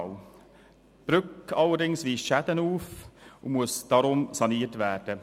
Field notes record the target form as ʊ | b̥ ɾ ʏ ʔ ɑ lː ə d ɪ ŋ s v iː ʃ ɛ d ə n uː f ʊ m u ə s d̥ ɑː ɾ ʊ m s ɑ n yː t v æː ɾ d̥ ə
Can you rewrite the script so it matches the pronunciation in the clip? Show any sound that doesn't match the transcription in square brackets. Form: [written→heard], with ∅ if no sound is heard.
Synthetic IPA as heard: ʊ | b̥ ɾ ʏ [ʔ→k] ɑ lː ə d ɪ ŋ s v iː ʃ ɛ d ə n uː f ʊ m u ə s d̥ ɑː ɾ ʊ m s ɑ n [yː→iː] t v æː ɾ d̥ ə